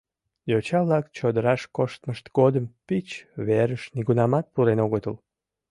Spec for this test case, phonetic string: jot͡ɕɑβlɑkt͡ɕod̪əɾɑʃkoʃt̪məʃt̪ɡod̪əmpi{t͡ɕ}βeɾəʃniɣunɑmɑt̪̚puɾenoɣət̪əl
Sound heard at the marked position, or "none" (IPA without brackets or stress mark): t͡ɕ